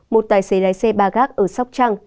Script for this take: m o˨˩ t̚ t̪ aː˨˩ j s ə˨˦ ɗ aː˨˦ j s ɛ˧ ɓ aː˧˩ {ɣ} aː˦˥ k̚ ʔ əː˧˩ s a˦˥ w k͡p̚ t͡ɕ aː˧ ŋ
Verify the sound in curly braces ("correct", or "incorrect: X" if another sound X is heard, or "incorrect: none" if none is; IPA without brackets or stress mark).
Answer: correct